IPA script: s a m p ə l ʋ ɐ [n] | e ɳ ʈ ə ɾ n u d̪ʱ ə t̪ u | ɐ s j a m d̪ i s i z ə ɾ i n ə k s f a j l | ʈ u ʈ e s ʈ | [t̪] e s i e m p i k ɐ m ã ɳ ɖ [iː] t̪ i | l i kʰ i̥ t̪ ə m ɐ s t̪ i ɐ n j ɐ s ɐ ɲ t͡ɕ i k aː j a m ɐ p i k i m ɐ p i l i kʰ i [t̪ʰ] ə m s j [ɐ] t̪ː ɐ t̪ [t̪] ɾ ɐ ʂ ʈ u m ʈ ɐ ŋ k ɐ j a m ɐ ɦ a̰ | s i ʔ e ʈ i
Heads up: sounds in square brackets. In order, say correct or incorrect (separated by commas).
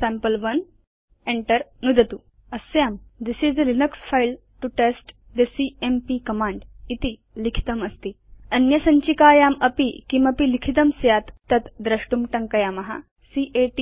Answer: correct, incorrect, incorrect, incorrect, incorrect, incorrect